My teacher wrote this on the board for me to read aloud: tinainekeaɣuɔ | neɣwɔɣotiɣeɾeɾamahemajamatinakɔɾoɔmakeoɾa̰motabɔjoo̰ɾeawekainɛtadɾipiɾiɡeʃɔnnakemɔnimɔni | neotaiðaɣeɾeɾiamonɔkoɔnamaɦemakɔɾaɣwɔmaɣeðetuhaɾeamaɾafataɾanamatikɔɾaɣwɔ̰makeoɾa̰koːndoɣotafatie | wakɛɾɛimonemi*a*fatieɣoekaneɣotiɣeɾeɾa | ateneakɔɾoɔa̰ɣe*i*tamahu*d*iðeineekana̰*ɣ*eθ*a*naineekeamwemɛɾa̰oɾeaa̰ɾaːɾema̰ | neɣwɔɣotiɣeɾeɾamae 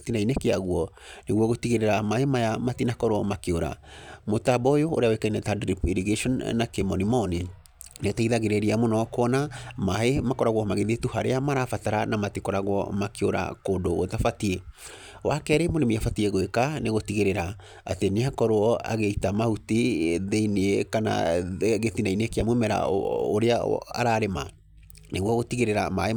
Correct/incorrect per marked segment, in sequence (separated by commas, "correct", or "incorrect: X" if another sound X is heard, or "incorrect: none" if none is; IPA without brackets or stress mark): correct, correct, incorrect: t, correct, incorrect: i